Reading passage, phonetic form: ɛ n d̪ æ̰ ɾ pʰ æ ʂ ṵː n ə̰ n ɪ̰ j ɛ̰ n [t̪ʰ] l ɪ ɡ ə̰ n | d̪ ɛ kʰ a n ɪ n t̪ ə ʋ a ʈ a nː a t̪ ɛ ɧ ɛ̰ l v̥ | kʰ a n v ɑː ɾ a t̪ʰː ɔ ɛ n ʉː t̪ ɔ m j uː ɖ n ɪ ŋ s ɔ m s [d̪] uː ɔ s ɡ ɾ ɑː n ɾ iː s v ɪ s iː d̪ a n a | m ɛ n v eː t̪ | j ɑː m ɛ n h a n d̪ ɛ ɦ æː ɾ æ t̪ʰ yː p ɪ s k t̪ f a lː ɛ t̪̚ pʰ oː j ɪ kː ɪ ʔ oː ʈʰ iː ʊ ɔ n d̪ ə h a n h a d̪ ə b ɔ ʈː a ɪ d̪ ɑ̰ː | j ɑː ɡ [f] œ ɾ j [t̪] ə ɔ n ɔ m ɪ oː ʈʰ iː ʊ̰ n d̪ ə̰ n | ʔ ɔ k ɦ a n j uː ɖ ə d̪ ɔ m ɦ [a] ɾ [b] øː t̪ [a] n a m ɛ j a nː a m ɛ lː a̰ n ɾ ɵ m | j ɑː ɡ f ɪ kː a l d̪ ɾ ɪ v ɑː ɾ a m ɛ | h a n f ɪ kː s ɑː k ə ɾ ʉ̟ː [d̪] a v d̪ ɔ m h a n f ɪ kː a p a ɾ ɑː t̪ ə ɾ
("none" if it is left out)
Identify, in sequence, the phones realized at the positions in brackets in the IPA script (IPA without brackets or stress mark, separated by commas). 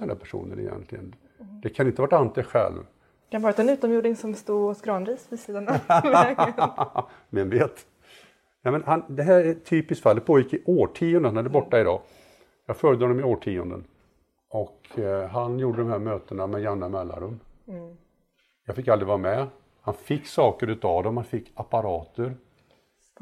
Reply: t̪, t̪, f, d̪, æ, m, ə, t̪